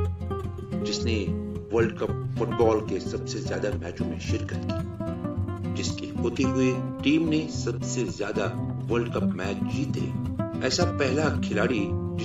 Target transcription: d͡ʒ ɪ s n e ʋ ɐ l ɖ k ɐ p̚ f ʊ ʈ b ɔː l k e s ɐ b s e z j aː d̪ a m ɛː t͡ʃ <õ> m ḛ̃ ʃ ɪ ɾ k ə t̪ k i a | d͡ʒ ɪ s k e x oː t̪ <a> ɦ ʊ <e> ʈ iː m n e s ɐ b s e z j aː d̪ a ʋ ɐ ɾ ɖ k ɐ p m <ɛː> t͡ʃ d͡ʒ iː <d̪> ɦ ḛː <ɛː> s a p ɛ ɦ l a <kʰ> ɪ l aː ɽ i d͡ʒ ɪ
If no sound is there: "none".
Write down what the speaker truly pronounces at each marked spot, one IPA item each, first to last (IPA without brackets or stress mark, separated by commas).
õ, e, e, ɛː, t̪, ɛː, kʰ